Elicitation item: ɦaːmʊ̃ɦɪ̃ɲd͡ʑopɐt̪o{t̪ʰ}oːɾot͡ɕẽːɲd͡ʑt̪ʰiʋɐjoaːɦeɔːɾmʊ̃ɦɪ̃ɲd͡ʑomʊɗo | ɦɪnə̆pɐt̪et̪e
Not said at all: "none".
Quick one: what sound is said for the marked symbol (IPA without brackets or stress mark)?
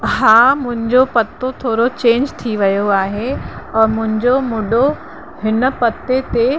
t̪ʰ